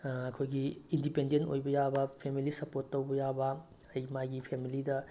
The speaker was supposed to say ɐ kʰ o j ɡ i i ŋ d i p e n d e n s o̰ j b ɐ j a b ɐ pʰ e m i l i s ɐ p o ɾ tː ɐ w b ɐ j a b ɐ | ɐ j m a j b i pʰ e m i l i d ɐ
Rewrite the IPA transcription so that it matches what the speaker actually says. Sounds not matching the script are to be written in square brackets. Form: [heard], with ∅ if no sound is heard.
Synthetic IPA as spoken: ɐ kʰ o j ɡ i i [n] d i p e n d e n [t] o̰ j b ɐ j a b ɐ pʰ e m i l i s ɐ p o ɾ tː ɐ w b ɐ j a b ɐ | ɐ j m a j [ɡ] i pʰ e m i l i d ɐ

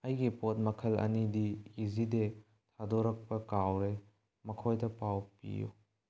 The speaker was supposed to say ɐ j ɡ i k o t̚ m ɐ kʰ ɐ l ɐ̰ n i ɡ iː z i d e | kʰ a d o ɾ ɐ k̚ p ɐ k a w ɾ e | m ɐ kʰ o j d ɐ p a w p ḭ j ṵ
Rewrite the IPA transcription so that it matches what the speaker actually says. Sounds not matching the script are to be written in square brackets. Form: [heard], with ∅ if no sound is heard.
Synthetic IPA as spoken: ɐ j ɡ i [p] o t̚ m ɐ kʰ ɐ l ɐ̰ n i [d] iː z i d e | [tʰ] a d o ɾ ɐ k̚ p ɐ k a w ɾ e | m ɐ kʰ o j d ɐ p a w p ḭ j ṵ

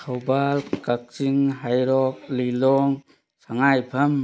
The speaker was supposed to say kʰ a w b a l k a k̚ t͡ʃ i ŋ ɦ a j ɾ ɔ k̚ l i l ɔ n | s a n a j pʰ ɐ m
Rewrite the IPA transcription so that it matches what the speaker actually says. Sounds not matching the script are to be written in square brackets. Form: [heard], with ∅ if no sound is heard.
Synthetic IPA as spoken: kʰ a w b a l k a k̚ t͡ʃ i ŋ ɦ a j ɾ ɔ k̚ l i l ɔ [ŋ] | s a [ŋ] a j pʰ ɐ m

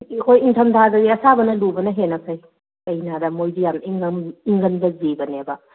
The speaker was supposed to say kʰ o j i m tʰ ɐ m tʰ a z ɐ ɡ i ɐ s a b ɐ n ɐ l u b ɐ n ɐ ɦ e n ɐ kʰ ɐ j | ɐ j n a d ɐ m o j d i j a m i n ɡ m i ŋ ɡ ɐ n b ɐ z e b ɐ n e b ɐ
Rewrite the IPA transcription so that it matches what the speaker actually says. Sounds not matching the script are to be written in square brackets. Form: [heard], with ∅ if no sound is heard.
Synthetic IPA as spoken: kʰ o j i [ŋ] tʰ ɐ m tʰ a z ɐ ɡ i ɐ s a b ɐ n ɐ l u b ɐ n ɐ ɦ e n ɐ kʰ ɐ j | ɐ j n a d ɐ m o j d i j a m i [ŋ] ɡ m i ŋ ɡ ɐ n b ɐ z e b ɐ n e b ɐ

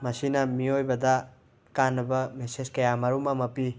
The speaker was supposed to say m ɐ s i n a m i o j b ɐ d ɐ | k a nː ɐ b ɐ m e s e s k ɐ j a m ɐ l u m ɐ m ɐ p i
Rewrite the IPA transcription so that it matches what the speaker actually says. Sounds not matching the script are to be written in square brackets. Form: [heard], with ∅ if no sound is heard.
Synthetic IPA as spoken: m ɐ s i n [ɐ] m i o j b ɐ d ɐ | k a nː ɐ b ɐ m e s e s k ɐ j a m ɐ [ɾ] u m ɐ m ɐ p i

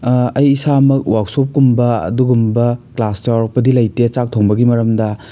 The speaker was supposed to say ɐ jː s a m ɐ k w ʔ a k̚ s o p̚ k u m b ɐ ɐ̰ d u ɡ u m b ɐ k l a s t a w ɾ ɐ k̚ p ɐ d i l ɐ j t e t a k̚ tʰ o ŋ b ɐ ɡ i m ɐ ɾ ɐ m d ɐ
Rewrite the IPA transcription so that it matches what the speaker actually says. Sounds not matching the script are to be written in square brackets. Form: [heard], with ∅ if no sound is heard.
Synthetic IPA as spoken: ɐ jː s a m ɐ k w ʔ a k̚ s o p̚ k u m b ɐ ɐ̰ d u ɡ u m b ɐ k l a s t a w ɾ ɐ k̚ p ɐ d i l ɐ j t e [t͡ʃ] a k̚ tʰ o ŋ b ɐ ɡ i m ɐ ɾ ɐ m d ɐ

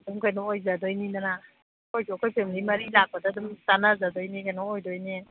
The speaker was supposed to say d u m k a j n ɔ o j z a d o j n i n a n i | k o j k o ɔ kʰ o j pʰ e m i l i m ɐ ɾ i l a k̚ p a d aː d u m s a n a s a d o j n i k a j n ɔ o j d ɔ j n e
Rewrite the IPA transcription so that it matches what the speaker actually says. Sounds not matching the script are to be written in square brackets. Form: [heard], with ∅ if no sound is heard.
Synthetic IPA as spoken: d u m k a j n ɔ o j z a d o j n i n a n [a] | k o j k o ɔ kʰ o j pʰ e m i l i m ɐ ɾ i l a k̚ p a d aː d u m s a n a [z] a d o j n i k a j n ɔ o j d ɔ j n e

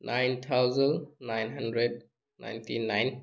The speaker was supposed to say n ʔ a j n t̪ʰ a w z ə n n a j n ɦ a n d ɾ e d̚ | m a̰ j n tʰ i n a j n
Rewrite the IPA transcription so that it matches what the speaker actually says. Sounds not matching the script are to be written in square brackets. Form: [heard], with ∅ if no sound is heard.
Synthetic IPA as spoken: n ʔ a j n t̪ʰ a w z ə n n a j n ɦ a n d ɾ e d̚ | [n] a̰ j n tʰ i n a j n

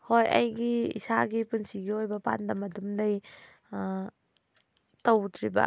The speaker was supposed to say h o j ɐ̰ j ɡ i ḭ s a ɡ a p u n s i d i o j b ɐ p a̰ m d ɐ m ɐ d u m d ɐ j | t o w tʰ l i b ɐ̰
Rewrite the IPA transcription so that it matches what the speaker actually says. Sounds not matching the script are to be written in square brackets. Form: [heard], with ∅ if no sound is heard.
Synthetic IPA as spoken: h o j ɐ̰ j ɡ i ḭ s a ɡ [i] p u n s i [ɡ] i o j b ɐ p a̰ [n] d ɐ m ɐ d u m d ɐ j | t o w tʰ [ɾ] i b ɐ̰

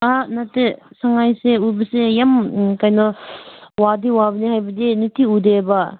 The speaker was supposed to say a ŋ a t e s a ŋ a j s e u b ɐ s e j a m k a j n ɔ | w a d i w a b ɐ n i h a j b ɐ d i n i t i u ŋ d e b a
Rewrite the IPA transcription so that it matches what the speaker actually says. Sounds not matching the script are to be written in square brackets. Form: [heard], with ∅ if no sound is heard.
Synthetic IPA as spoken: a [n] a t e s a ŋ a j s e u b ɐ s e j a m k a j n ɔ | w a d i w a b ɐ n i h a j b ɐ d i n i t i u [∅] d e b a

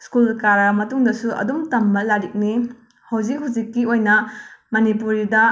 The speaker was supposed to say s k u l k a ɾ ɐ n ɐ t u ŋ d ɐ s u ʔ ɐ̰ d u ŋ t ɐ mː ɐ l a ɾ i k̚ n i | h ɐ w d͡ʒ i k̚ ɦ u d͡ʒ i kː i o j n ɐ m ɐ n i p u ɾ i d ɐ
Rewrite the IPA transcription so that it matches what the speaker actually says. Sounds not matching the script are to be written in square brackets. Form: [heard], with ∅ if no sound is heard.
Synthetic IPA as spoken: s k u l k a ɾ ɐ [m] ɐ t u ŋ d ɐ s u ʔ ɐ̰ d u [m] t ɐ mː ɐ l a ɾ i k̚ n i | h ɐ w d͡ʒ i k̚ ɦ u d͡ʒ i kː i o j n ɐ m ɐ n i p u ɾ i d ɐ

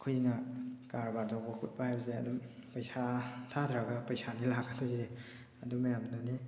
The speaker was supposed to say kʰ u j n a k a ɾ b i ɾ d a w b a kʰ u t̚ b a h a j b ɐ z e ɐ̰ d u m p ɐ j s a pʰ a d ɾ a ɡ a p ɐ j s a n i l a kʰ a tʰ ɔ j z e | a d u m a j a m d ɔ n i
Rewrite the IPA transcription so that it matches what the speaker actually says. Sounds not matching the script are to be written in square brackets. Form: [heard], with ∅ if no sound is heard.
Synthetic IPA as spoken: kʰ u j n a k a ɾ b [a] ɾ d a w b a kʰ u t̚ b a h a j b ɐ z e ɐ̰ d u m p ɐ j s a [tʰ] a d ɾ a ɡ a p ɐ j s a n i l a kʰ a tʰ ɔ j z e | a d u m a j a m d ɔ n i

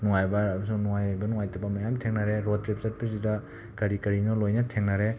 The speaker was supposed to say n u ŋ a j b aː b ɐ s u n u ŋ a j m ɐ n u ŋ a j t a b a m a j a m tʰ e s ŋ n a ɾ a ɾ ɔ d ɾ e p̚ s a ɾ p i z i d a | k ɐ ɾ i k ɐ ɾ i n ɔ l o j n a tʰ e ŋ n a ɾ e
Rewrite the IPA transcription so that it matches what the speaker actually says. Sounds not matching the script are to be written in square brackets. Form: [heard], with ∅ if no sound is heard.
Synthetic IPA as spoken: n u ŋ a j b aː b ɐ s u n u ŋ a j [b] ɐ n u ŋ a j t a b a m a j a m tʰ e [∅] ŋ n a ɾ [e] ɾ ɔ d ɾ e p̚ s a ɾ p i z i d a | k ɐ ɾ i k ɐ ɾ i n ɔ l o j n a tʰ e ŋ n a ɾ e

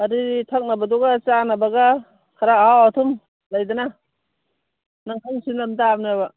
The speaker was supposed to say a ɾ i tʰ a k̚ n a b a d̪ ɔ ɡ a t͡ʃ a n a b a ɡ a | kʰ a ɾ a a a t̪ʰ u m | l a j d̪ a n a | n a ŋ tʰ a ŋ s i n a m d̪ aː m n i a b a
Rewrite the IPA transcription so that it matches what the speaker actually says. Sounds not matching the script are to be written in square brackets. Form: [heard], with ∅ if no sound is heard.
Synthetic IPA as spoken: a ɾ i tʰ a k̚ n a b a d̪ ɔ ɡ a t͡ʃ a n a b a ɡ a | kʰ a ɾ a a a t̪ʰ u m | l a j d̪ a n a | n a ŋ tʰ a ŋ s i n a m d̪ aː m n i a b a

